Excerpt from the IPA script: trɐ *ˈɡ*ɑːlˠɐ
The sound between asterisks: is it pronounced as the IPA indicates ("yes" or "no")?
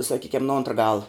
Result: yes